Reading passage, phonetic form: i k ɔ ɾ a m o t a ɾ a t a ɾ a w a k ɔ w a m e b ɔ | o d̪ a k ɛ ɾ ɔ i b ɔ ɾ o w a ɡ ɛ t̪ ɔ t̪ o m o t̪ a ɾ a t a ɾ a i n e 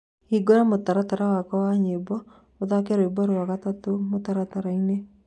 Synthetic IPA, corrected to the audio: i ɡ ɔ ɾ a m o t a ɾ a t a ɾ a w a k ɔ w a ɲ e b ɔ | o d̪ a k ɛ ɾ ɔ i b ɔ ɾ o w a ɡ a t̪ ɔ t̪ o m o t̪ a ɾ a t a ɾ a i n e